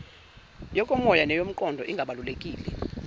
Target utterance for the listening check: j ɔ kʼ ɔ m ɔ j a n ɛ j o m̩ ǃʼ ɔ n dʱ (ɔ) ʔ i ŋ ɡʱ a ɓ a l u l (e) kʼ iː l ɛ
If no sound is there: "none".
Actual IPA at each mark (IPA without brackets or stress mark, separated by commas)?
ɔ, e